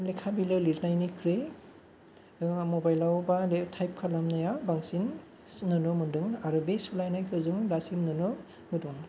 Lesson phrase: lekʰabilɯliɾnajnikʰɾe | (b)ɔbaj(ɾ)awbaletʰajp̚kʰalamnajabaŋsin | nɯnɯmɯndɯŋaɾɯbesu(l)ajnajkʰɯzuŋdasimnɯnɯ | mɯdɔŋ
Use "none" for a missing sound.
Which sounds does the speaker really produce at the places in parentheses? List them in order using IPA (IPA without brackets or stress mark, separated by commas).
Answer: m, l, l